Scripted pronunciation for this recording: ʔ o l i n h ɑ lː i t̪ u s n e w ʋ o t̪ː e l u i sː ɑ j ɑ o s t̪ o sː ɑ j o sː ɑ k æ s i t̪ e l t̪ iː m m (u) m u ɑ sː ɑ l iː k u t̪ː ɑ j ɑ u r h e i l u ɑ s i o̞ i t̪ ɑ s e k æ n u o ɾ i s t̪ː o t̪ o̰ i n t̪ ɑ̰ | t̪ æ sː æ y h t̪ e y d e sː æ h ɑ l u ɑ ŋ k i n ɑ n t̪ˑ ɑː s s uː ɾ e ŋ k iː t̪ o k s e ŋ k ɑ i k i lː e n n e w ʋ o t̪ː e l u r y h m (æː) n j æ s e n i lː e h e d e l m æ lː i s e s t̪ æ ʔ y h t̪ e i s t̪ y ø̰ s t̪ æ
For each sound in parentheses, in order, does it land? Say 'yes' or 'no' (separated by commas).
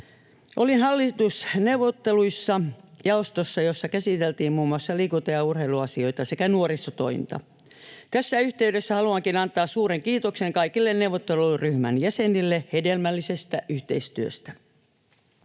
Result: no, no